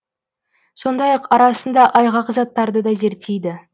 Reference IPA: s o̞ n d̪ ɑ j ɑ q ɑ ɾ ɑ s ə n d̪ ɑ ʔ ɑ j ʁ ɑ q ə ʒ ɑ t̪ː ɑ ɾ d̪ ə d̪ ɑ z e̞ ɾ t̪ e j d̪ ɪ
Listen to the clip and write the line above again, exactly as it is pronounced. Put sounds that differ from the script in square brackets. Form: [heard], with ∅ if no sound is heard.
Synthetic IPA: s o̞ n d̪ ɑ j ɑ q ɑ ɾ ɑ s ə n d̪ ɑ ʔ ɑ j ʁ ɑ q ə [z] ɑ t̪ː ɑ ɾ d̪ ə d̪ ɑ z e̞ ɾ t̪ e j d̪ ɪ